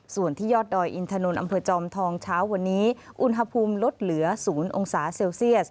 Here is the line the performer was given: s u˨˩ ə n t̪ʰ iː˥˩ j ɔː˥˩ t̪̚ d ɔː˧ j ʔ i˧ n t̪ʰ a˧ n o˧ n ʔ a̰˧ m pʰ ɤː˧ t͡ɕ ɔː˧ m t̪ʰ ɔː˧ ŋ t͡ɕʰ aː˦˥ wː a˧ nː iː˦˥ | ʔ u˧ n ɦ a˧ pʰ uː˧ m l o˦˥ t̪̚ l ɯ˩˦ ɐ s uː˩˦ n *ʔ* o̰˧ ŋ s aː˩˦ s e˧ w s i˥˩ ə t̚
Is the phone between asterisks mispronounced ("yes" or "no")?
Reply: no